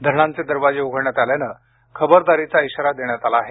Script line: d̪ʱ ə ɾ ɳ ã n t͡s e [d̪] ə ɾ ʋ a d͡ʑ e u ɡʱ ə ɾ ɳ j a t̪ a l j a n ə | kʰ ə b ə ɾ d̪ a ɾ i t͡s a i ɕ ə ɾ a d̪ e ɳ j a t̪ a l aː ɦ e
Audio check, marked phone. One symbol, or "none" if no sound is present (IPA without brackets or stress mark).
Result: d̪